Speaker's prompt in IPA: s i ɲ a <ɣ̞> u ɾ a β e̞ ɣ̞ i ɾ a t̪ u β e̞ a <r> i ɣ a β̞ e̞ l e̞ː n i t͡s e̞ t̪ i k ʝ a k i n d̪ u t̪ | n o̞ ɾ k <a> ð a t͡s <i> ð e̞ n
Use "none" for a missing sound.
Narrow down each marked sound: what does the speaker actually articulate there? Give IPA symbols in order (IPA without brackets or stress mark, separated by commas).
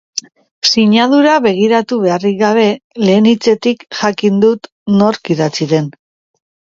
ð̞, r, i, i